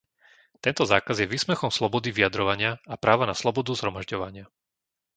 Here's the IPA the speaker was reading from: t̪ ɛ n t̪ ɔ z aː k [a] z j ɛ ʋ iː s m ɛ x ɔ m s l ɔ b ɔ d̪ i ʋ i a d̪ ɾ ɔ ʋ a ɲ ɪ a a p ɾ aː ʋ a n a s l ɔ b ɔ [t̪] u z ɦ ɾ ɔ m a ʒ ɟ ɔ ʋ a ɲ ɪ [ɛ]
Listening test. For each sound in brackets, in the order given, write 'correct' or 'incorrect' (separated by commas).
correct, incorrect, incorrect